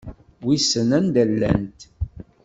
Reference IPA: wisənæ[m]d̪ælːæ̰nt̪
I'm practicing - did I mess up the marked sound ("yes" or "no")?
yes